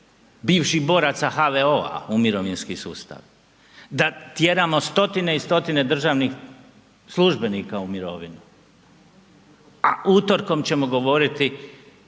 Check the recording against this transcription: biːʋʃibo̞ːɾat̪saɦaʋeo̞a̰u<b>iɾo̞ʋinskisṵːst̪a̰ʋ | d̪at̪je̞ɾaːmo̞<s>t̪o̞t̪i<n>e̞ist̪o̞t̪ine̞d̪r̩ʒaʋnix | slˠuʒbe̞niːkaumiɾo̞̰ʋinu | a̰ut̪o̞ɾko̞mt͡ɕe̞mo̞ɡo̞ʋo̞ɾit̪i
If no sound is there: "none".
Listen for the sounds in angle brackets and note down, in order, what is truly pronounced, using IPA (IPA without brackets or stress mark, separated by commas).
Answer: m, s, n